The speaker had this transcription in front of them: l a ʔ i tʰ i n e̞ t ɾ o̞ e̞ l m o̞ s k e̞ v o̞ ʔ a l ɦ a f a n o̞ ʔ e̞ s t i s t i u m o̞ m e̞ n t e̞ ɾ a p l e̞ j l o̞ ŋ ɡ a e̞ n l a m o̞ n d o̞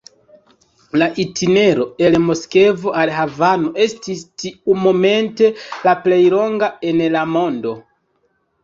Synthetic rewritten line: l a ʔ i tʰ i n e̞ ɾ o̞ e̞ l m o̞ s k e̞ v o̞ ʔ a l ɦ a v a n o̞ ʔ e̞ s t i s t i u m o̞ m e̞ n t e̞ l a p l e̞ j l o̞ ŋ ɡ a e̞ n l a m o̞ n d o̞